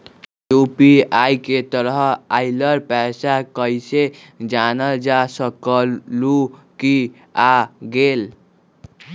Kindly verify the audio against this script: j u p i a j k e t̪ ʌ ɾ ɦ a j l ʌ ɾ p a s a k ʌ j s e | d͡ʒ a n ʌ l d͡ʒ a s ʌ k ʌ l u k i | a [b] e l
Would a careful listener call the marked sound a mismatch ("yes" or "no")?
yes